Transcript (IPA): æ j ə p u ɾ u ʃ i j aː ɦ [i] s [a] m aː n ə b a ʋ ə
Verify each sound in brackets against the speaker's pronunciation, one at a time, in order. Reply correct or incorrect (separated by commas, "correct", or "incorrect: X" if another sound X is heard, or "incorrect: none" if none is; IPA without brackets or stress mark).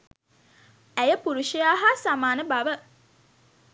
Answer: incorrect: a, correct